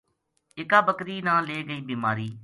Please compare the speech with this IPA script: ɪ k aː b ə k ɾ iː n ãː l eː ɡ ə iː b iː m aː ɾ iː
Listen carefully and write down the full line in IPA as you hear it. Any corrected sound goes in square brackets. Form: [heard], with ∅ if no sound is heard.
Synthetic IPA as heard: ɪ k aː b ə k ɾ iː n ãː l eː ɡ ə iː b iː m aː ɾ iː